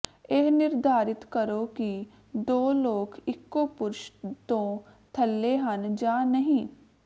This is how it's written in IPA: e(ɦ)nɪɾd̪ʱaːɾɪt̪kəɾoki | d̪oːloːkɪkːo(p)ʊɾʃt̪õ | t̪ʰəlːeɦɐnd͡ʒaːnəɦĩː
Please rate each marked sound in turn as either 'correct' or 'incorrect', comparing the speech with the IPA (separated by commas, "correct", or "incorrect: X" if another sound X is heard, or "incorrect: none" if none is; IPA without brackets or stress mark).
correct, correct